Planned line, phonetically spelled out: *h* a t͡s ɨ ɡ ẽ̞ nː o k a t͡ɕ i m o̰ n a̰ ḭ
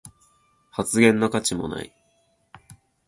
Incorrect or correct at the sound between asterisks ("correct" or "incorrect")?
correct